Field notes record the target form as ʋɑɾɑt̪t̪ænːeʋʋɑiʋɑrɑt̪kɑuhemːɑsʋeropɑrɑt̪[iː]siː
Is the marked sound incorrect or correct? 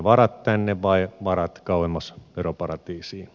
correct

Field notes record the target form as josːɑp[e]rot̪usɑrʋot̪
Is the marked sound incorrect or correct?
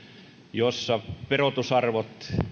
correct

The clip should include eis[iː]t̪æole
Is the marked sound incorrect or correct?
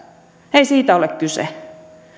correct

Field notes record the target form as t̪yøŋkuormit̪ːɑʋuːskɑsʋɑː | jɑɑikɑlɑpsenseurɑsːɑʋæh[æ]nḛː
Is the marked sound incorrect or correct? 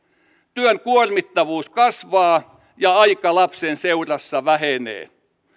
incorrect: e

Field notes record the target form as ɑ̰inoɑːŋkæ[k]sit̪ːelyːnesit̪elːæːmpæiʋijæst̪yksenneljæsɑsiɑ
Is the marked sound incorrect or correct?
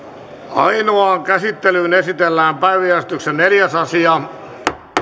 incorrect: none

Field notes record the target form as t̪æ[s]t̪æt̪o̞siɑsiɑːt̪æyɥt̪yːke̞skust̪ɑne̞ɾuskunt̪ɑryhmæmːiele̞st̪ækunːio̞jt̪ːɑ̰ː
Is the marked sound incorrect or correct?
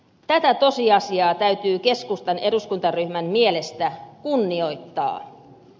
incorrect: none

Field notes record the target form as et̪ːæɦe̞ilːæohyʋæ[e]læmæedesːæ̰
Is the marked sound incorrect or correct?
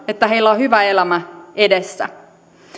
correct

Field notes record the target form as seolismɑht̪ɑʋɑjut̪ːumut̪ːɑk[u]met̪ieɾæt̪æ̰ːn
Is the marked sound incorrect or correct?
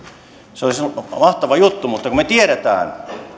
correct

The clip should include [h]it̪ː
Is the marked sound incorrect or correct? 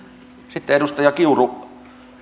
incorrect: s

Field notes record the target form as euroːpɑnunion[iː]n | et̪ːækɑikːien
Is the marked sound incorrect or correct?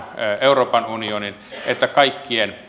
incorrect: i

